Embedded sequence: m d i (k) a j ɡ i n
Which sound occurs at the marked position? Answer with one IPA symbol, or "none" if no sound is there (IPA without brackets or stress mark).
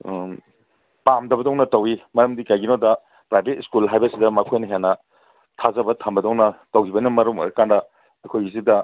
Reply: k